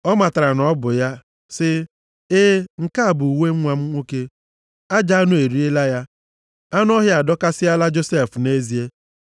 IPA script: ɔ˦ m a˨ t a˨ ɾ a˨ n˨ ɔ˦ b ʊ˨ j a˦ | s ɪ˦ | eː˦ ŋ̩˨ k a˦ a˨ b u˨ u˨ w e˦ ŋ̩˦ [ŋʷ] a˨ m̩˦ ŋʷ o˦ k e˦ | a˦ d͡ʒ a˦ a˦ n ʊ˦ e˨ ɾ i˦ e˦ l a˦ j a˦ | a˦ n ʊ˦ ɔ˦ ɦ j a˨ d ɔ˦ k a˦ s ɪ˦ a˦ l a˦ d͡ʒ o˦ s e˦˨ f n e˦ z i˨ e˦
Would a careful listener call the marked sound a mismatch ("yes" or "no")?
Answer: no